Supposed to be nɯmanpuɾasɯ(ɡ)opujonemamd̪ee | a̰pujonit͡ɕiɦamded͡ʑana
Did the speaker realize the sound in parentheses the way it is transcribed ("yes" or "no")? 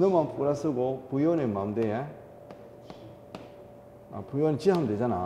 yes